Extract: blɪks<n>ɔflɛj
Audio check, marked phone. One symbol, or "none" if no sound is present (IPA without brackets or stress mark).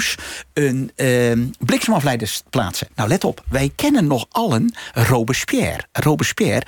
m